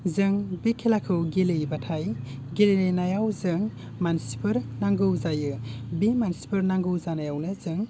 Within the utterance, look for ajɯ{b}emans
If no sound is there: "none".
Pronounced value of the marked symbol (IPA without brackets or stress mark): b